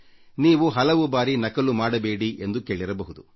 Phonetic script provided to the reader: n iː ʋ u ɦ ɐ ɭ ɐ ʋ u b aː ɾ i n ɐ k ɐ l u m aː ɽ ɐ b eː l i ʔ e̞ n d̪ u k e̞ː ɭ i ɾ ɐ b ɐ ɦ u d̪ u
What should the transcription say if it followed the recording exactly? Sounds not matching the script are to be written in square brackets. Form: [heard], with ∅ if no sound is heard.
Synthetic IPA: n iː ʋ u ɦ ɐ [l] ɐ ʋ u b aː ɾ i n ɐ k ɐ l u m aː ɽ ɐ b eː [ɽ] i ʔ e̞ n d̪ u k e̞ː ɭ i ɾ ɐ b ɐ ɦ u d̪ u